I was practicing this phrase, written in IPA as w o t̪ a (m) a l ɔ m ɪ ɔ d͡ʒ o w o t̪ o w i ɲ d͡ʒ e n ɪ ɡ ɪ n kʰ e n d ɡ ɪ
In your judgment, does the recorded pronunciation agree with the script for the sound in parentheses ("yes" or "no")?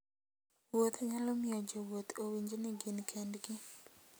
no